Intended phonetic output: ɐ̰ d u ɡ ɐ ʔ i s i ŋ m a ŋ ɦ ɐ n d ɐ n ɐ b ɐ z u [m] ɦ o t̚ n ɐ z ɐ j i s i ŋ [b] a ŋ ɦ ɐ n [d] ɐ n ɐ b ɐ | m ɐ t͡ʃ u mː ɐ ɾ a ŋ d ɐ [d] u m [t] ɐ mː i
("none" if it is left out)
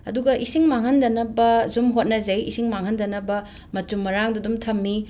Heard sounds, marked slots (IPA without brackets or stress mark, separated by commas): m, m, d, d, tʰ